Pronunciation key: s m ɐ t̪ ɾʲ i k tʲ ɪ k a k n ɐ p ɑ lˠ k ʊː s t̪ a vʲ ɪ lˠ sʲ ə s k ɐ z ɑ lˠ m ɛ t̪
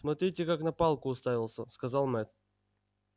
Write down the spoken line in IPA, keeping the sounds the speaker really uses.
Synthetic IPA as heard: s m ɐ t̪ ɾʲ i tʲ ɪ k a k n ɐ p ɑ lˠ k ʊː s t̪ a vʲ ɪ lˠ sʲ ə s k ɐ z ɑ lˠ m ɛ t̪